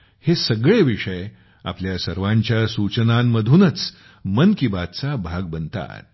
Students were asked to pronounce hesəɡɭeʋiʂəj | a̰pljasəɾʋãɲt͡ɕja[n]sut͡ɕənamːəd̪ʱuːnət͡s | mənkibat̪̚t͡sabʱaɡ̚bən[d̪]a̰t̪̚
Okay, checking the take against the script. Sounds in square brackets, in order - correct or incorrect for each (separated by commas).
incorrect, incorrect